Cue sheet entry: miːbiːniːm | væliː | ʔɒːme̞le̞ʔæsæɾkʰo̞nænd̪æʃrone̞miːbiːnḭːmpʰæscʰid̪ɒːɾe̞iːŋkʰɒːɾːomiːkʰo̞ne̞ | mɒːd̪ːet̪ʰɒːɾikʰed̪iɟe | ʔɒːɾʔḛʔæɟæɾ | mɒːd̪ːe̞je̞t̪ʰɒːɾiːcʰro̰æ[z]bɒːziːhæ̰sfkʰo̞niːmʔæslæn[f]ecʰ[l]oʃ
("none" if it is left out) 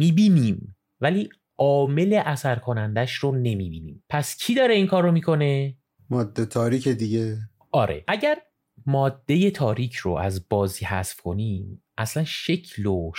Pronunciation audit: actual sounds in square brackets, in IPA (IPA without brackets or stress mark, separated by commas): z, ʃ, l